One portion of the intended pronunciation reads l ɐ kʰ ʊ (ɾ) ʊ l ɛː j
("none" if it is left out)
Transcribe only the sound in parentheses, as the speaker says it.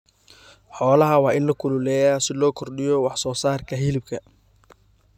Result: l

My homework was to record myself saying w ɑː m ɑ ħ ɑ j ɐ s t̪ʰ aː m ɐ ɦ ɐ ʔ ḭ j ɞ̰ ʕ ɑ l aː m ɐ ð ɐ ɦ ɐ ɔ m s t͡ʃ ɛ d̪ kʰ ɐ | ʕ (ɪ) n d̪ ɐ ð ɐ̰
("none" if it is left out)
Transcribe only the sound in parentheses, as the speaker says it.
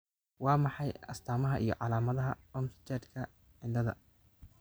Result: ɪ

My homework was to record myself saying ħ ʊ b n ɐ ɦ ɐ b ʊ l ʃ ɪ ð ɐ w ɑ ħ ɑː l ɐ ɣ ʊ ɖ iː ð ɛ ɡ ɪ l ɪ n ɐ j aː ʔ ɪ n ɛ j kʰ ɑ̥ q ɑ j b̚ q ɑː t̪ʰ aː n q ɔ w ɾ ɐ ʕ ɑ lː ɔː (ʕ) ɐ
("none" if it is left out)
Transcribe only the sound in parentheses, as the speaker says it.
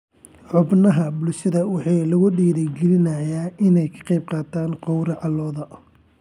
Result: ð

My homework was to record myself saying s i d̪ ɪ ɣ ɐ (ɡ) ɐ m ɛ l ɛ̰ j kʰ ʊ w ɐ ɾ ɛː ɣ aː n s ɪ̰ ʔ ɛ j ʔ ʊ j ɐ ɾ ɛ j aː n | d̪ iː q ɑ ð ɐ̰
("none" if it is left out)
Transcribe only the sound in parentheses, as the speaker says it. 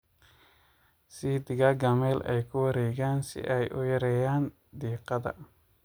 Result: ɡ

